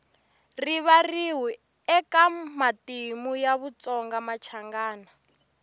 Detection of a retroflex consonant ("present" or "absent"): absent